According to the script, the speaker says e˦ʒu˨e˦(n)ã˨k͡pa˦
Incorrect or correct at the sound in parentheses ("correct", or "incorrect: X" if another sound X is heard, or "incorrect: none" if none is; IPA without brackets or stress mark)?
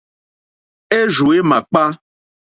incorrect: m